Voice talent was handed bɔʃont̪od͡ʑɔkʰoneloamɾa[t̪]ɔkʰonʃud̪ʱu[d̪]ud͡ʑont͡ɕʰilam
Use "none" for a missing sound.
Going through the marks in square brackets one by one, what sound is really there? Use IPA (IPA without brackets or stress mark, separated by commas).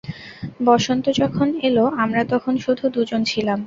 t̪, d̪